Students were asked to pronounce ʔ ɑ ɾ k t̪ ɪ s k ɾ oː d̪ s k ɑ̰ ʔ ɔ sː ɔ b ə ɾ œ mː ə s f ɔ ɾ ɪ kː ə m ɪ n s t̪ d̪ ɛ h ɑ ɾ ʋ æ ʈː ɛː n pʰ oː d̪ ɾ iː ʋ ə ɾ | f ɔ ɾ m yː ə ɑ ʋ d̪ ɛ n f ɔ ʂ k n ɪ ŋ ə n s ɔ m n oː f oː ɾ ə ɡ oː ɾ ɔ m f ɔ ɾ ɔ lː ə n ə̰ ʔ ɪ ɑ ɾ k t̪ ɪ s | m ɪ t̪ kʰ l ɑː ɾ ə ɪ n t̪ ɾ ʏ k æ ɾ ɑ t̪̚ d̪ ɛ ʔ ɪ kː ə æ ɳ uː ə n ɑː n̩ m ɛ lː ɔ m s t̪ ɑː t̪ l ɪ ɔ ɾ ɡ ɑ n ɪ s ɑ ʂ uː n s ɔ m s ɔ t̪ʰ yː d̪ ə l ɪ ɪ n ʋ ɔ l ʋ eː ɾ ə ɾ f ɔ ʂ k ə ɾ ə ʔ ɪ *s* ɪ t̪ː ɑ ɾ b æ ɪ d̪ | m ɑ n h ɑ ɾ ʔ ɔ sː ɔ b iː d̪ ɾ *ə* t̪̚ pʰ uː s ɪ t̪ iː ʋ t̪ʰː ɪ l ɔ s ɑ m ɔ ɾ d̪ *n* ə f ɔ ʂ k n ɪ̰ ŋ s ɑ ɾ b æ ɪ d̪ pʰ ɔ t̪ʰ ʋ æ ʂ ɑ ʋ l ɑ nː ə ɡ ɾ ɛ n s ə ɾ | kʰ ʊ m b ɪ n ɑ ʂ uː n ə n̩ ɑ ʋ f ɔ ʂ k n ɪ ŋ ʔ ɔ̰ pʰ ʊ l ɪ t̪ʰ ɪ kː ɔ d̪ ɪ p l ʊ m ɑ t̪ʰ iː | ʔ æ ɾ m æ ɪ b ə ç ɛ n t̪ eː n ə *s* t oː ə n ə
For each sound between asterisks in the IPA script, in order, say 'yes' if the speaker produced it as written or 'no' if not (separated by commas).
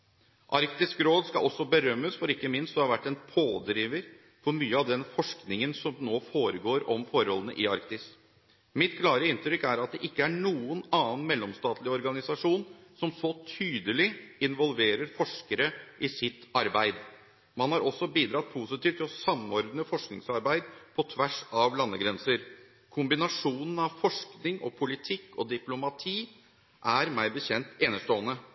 yes, no, yes, no